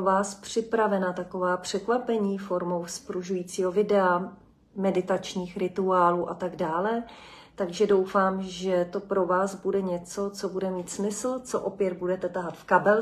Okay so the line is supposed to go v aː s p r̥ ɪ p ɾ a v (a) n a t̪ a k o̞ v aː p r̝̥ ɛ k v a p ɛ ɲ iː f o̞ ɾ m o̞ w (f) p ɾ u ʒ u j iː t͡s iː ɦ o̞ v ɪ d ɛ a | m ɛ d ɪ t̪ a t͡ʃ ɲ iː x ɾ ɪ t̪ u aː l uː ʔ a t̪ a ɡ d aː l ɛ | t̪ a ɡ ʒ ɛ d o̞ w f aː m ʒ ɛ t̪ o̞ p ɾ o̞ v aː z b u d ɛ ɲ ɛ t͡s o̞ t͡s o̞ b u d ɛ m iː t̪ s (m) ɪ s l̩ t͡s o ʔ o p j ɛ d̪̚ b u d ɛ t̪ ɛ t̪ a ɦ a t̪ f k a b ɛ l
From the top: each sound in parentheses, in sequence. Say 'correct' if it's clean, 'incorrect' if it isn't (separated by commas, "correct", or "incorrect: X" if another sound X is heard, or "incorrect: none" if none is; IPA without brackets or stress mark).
incorrect: ɛ, incorrect: s, correct